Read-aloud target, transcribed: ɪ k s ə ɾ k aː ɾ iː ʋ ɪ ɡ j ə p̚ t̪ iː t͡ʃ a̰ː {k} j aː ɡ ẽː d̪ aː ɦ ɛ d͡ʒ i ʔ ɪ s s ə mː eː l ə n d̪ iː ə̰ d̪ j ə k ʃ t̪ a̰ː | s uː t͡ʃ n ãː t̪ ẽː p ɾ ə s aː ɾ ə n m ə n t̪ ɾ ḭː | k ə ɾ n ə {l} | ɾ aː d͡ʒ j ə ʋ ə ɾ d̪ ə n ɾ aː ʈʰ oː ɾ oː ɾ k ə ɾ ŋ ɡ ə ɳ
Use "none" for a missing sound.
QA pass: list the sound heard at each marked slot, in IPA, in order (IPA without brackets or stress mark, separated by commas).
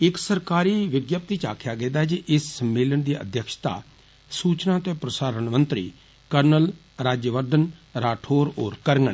kʰ, l